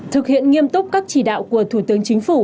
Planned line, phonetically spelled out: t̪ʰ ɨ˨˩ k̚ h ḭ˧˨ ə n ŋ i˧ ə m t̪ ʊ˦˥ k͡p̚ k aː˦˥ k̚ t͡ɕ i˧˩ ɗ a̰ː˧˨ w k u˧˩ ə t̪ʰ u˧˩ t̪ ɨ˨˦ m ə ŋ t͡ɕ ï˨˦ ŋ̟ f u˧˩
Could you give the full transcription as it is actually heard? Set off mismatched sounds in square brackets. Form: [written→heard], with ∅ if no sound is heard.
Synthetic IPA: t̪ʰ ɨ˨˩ k̚ h ḭ˧˨ ə n ŋ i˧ ə m t̪ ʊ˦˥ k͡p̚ k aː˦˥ k̚ t͡ɕ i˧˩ ɗ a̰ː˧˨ w k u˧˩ ə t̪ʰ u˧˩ t̪ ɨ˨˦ [m→∅] ə ŋ t͡ɕ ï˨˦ ŋ̟ f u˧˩